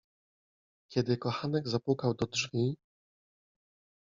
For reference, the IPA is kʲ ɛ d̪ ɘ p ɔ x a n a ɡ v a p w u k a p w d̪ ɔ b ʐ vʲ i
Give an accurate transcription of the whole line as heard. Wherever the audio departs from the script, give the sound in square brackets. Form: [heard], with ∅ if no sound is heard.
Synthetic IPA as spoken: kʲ ɛ d̪ ɘ [k] ɔ x a n [ɛ] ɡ [z] a p w u k a [∅] w d̪ ɔ [d] ʐ vʲ i